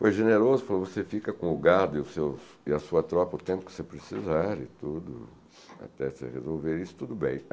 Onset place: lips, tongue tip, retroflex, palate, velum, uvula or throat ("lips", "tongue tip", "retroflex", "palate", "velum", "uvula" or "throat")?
lips